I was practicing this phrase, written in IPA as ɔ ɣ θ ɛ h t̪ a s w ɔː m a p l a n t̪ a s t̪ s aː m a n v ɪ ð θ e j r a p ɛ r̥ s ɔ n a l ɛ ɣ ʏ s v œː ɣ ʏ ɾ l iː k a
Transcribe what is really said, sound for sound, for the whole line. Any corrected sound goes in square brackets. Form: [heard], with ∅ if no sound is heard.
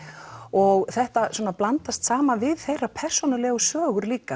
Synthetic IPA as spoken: ɔ ɣ θ ɛ h t̪ a s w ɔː [n] a p l a n t̪ a s t̪ s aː m a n v ɪ ð θ e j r a [pʰ] ɛ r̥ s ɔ n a l ɛ ɣ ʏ s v œː ɣ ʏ ɾ l iː k a